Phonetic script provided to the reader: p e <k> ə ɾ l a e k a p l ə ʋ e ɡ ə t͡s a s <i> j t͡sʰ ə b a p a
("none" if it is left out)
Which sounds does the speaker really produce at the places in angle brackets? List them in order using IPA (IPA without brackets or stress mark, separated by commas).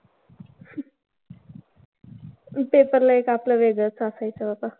p, a